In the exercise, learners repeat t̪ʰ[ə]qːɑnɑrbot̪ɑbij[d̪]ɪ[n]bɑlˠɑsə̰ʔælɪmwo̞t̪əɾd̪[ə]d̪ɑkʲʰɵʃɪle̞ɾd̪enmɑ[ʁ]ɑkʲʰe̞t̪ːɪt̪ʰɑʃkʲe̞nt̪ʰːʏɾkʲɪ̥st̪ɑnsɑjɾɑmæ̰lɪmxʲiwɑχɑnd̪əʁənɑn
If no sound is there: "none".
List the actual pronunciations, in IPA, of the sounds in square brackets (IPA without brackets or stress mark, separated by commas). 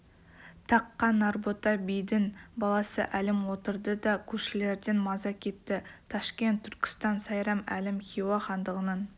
ɑ, d̪, n, ə, z